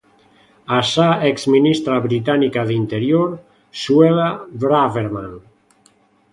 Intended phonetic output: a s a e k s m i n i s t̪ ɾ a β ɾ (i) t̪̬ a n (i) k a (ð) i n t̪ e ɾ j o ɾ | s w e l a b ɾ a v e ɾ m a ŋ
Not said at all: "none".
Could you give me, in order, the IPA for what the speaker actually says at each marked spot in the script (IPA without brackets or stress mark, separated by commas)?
i, i, ð